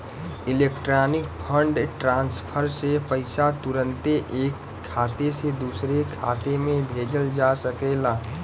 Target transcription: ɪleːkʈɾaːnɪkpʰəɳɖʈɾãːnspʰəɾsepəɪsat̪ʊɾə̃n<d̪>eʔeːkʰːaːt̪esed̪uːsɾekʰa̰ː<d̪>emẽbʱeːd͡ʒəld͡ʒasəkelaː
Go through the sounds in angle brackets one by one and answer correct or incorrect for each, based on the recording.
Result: incorrect: t̪, incorrect: t̪

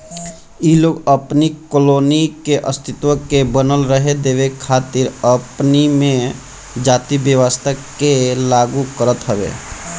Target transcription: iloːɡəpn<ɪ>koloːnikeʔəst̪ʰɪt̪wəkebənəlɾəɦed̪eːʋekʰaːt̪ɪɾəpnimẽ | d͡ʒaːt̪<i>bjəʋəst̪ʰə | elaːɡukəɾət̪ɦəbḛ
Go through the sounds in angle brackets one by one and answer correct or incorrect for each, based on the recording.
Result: incorrect: i, correct

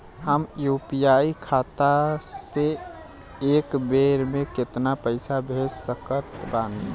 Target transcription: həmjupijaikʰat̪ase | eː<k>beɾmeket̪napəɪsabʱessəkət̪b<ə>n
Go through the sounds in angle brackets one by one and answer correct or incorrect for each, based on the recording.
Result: correct, incorrect: a

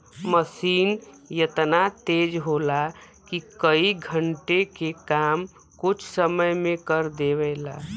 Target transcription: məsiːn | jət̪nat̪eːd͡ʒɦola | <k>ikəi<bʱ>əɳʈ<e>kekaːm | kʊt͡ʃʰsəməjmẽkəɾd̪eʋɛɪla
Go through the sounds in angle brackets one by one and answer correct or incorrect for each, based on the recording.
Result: correct, incorrect: ɡʱ, correct

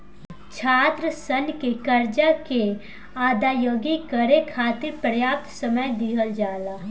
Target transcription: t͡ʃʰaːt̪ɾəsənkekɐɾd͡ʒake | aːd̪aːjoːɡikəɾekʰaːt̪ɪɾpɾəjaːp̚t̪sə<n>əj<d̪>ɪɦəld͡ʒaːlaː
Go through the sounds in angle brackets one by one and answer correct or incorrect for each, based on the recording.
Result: incorrect: m, correct

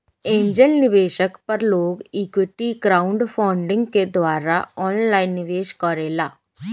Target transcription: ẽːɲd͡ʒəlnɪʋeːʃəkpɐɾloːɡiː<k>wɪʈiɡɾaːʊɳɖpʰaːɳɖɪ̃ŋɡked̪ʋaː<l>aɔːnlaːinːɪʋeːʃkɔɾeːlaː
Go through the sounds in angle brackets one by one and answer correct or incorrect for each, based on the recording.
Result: correct, incorrect: ɾ

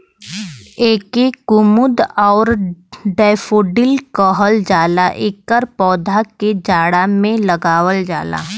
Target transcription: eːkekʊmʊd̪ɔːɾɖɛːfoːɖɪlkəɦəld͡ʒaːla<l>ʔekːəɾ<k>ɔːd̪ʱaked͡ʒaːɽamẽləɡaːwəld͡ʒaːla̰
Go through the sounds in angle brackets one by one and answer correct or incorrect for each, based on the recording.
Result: incorrect: none, incorrect: p

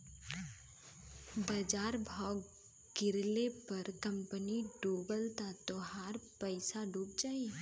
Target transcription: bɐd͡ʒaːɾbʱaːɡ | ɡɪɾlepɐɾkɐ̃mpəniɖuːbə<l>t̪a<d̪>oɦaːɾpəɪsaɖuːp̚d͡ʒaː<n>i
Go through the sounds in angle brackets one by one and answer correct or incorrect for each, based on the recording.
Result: correct, incorrect: t̪, incorrect: none

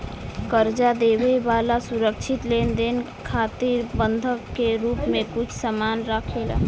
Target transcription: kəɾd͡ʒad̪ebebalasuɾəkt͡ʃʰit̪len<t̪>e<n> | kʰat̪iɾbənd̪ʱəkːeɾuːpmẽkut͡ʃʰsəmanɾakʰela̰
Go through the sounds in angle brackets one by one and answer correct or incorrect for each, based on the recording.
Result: incorrect: d̪, correct

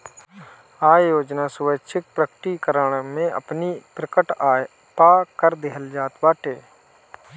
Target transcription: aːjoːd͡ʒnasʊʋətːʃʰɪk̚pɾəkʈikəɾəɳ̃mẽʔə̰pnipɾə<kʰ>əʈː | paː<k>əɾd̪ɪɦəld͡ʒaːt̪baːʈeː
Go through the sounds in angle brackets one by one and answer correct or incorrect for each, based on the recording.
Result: incorrect: k, correct

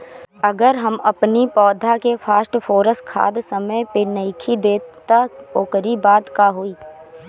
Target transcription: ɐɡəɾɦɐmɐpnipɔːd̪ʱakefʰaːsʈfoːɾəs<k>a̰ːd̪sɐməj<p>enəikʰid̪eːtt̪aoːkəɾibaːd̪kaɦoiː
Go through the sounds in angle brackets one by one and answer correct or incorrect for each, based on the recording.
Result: incorrect: kʰ, correct

